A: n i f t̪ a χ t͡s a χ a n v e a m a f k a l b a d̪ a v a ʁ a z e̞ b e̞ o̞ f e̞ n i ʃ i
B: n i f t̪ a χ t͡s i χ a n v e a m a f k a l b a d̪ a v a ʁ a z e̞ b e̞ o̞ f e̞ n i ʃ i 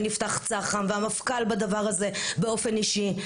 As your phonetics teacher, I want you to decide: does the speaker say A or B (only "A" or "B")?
A